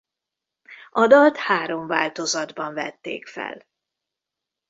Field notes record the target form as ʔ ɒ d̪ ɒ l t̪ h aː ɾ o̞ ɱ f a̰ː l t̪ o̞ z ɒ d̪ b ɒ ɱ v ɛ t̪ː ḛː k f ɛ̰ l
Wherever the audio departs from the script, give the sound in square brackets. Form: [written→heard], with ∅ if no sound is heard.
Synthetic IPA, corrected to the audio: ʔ ɒ d̪ ɒ l t̪ h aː ɾ o̞ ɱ [f→v] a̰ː l t̪ o̞ z ɒ d̪ b ɒ ɱ v ɛ t̪ː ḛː k f ɛ̰ l